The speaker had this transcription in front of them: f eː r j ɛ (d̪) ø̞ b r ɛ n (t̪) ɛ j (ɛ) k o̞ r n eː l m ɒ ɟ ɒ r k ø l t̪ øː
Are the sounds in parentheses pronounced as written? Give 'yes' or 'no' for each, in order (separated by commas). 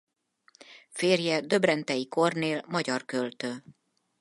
yes, yes, no